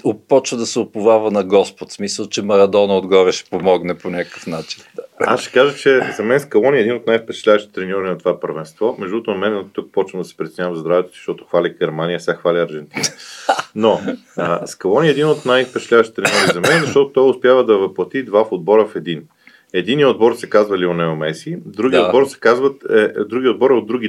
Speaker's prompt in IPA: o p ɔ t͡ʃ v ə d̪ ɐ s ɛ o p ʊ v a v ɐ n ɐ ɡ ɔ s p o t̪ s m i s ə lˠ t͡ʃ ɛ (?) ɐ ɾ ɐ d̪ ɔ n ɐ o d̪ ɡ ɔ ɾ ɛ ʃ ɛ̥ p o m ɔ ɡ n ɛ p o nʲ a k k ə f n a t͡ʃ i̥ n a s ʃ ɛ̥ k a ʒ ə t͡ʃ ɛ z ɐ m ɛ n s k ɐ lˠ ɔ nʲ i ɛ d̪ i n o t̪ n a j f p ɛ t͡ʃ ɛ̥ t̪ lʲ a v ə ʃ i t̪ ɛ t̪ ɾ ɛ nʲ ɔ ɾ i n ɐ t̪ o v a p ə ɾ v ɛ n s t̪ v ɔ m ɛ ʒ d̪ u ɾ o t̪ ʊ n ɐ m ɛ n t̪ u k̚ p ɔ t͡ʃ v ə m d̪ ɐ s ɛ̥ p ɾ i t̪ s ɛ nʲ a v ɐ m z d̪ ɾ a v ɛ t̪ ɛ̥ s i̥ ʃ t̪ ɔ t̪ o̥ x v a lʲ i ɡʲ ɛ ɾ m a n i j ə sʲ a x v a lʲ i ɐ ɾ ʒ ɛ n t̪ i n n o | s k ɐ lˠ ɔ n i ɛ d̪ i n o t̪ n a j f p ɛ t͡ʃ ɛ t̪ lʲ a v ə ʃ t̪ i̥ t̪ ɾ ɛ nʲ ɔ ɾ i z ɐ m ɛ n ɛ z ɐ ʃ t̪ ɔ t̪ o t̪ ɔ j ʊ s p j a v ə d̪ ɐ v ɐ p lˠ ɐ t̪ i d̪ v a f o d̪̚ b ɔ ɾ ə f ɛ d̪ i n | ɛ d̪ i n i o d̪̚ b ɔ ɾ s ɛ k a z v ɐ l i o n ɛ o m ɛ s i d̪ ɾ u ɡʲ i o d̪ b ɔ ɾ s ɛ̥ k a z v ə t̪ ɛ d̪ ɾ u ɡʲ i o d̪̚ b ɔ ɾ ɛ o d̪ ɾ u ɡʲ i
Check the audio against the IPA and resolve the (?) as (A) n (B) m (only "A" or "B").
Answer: B